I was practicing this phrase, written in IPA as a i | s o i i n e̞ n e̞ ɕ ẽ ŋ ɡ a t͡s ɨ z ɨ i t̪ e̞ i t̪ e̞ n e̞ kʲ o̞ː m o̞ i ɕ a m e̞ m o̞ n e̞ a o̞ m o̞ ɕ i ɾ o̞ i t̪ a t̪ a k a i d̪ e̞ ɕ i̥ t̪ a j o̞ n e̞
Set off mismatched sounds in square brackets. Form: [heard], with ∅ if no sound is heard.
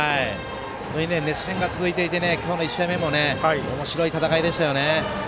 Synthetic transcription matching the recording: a i | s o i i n e̞ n e̞ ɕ ẽ ŋ ɡ a t͡s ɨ z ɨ i t̪ e̞ i t̪ e̞ n e̞ kʲ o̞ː [n] o̞ i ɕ a m e̞ m o̞ n e̞ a o̞ m o̞ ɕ i ɾ o̞ i t̪ a t̪ a k a i d̪ e̞ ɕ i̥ t̪ a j o̞ n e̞